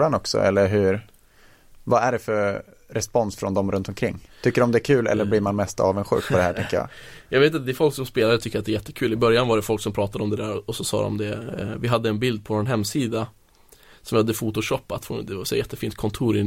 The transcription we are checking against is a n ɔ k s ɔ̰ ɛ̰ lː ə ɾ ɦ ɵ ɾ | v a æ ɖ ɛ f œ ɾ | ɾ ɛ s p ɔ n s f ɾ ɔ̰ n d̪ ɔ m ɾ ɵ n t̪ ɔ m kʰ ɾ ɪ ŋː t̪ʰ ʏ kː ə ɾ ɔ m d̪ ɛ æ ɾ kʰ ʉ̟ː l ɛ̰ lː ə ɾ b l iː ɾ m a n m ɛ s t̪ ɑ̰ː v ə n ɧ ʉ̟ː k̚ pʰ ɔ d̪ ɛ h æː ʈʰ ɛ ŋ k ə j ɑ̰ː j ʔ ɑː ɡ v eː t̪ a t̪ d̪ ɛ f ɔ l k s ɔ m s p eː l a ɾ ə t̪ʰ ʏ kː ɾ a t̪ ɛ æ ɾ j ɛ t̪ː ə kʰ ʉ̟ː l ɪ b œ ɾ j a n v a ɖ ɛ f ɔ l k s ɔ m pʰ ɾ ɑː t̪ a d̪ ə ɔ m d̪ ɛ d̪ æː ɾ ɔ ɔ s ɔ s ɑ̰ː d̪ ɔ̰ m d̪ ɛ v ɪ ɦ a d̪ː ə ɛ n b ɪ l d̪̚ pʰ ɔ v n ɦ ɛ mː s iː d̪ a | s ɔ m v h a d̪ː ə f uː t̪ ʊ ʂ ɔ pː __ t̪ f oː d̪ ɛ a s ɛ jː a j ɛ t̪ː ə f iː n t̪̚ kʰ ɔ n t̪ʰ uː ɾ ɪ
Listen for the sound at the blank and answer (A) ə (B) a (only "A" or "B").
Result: B